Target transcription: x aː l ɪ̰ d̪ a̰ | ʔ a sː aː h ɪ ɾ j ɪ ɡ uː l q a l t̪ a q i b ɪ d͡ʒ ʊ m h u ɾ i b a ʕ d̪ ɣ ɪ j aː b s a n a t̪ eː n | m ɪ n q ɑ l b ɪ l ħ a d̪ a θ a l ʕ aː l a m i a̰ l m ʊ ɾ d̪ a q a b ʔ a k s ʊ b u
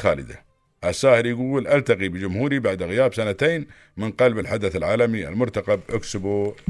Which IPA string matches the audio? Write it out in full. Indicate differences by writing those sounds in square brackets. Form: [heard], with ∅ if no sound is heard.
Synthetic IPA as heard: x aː l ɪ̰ d̪ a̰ | ʔ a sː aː h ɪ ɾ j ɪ ɡ uː l [ʔ] a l t̪ a q i b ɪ d͡ʒ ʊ m h [uː] ɾ i b a ʕ d̪ ɣ ɪ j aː b s a n a t̪ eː n | m ɪ n q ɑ l b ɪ l ħ a d̪ a θ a l ʕ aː l a m i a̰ l m ʊ ɾ [t̪] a q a b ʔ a k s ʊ b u